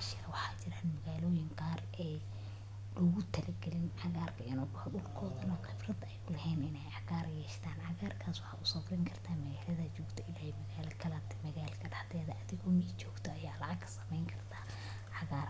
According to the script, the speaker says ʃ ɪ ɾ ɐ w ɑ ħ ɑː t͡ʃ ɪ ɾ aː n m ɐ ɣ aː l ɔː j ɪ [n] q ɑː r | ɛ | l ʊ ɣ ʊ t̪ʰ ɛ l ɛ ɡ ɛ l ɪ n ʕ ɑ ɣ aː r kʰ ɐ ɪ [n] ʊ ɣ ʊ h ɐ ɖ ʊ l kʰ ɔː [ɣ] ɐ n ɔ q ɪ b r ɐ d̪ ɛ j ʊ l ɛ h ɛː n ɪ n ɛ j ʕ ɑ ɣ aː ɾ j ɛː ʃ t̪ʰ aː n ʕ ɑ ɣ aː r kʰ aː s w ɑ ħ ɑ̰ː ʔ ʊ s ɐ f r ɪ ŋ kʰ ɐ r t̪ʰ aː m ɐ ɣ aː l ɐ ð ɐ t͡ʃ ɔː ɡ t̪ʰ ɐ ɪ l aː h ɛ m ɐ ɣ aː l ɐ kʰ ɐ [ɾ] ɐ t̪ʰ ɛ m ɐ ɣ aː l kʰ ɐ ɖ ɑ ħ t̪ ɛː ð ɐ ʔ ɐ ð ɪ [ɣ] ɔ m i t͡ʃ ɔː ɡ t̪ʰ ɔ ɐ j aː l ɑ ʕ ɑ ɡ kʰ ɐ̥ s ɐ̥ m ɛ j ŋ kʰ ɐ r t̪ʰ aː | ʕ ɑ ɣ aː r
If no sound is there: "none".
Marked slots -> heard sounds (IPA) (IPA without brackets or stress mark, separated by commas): ŋ, n, ð, l, ɣ